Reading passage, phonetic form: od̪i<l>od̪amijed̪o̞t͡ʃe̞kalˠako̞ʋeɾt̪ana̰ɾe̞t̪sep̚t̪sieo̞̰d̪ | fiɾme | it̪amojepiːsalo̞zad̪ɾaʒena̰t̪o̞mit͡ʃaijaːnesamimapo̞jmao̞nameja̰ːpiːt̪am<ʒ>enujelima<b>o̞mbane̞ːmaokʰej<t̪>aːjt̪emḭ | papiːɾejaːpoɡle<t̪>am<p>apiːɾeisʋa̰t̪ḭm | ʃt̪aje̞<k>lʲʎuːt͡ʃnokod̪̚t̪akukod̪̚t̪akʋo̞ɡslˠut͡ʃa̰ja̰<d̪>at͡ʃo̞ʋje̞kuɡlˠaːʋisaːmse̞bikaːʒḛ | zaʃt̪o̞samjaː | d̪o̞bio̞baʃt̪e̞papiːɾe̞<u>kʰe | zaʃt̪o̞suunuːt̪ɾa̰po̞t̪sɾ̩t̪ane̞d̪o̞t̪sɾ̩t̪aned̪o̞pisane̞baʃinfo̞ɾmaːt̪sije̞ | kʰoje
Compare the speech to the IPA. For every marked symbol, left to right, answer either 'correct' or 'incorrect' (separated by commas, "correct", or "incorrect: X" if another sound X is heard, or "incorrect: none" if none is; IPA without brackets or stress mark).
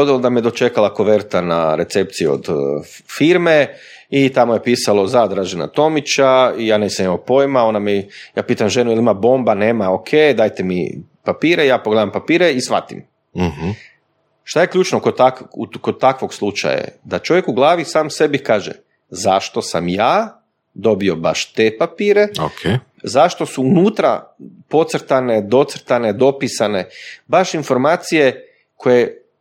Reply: correct, correct, correct, incorrect: d̪, incorrect: d̪, correct, correct, correct, incorrect: o